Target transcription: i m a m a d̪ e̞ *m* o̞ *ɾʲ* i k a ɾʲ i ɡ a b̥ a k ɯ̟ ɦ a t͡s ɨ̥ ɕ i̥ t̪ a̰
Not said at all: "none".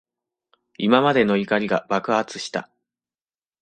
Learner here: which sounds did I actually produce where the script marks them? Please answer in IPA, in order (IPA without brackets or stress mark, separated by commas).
n, none